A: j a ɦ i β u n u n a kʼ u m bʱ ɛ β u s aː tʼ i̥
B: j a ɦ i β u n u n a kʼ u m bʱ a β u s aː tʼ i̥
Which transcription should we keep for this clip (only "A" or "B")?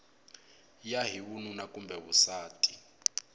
A